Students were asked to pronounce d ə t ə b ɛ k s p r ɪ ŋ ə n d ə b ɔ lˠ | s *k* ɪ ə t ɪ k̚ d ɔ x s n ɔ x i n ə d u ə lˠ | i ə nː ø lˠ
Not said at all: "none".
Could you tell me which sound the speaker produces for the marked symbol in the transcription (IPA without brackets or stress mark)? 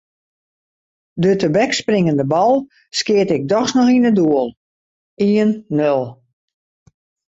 k